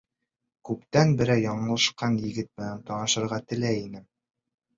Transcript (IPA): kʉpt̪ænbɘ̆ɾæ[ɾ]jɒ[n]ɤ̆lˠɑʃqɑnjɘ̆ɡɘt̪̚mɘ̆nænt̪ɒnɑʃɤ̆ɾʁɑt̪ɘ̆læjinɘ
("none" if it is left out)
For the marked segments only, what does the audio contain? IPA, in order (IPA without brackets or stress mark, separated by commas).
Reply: none, ɴ